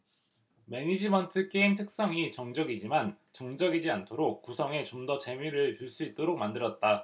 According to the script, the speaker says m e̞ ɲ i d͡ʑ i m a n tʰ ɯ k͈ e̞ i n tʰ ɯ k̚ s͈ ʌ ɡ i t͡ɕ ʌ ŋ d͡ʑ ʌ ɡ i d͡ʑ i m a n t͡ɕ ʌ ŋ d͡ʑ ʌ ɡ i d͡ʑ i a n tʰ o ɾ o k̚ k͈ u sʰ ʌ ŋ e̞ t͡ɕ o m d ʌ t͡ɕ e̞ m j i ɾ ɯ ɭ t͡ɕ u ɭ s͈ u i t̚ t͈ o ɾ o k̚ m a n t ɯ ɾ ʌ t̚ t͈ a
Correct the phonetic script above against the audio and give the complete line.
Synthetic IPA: m e̞ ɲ i d͡ʑ i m ʌ n tʰ ɯ k͈ e̞ i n tʰ ɯ k̚ s͈ ʌ ŋ i t͡ɕ ʌ ŋ d͡ʑ ʌ ɡ i d͡ʑ i m a n t͡ɕ ʌ ŋ d͡ʑ ʌ ɡ i d͡ʑ i a n tʰ o ɾ o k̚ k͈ u sʰ ʌ ŋ e̞ t͡ɕ o m d ʌ t͡ɕ e̞ m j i ɾ ɯ ɭ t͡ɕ u ɭ s͈ u i t̚ t͈ o ɾ o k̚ m a n d ɯ ɾ ʌ t̚ t͈ a